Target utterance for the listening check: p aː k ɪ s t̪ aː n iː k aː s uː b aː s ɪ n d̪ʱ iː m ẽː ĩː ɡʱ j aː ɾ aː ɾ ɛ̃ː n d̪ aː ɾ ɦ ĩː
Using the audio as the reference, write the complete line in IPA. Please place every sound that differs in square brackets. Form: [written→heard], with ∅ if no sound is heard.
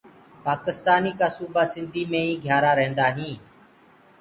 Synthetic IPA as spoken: p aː k ɪ s t̪ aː n iː k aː s uː b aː s ɪ n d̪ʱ iː m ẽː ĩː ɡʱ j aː ɾ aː ɾ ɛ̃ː n d̪ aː [ɾ→∅] ɦ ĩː